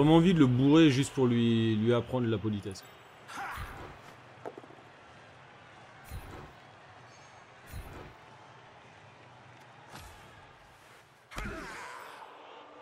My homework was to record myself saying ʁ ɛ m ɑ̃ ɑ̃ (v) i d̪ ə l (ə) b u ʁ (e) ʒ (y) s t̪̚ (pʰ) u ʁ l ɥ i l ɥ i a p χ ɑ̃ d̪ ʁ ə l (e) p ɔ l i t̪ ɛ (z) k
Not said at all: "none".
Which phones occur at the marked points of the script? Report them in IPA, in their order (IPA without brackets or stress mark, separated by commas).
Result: v, ə, e, y, p, a, s